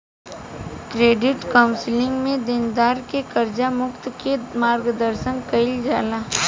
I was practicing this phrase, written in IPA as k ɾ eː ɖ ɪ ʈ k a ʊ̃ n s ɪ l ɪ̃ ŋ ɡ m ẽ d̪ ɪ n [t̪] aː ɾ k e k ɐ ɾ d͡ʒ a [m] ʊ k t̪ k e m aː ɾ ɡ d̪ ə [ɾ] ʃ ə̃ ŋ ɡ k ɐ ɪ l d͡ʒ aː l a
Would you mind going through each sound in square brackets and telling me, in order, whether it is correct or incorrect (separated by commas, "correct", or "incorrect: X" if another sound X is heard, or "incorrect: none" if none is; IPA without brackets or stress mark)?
incorrect: d̪, correct, correct